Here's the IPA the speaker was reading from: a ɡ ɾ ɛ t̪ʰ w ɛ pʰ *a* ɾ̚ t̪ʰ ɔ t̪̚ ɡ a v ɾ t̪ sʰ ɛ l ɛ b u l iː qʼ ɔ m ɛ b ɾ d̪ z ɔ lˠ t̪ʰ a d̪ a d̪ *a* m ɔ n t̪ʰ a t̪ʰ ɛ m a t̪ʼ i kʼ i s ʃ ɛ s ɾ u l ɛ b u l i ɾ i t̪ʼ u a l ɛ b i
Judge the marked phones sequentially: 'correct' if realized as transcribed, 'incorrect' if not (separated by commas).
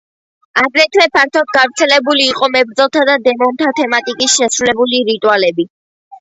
correct, incorrect